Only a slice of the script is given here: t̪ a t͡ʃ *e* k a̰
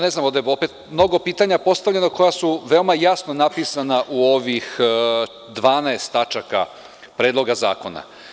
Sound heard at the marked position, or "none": a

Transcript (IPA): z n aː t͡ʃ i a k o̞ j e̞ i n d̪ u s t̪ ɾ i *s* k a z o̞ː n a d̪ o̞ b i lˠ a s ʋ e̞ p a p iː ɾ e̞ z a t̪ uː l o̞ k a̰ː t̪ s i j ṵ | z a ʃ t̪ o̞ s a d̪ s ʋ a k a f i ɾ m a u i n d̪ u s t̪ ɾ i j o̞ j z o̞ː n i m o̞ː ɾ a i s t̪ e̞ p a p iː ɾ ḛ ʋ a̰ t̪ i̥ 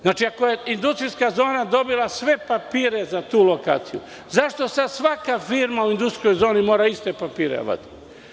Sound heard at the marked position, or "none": s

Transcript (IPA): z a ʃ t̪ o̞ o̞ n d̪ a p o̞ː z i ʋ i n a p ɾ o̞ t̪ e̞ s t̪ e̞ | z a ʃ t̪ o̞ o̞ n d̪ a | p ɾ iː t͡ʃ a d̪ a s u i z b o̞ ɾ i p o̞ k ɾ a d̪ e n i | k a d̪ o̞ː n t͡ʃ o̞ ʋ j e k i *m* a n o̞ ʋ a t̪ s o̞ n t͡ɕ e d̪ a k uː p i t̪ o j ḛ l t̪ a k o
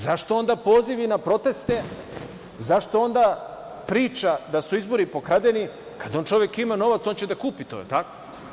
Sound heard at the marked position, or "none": m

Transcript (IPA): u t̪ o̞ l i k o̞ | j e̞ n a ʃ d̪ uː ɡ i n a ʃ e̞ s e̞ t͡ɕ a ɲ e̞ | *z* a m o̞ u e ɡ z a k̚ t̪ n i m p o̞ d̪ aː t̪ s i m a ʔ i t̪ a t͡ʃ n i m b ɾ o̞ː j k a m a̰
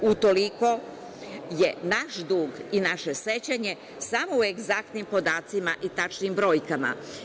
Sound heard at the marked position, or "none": s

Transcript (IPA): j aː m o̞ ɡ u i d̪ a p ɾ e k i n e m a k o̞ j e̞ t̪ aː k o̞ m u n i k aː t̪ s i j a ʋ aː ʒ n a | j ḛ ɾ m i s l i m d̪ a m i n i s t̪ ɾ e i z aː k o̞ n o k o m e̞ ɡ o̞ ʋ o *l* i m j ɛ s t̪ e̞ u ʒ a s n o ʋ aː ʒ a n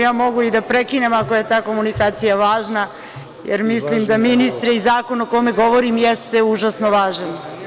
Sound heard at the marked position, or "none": ɾ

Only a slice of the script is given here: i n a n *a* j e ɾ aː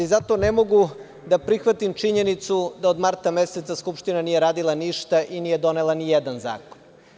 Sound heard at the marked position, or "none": i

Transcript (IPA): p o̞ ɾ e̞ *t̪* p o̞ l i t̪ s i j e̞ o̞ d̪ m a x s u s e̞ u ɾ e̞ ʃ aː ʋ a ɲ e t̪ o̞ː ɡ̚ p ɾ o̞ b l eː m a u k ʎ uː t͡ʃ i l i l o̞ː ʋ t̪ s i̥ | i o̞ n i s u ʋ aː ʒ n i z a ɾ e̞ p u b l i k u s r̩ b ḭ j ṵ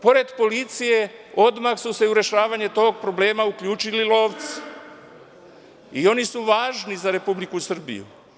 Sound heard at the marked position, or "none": d̪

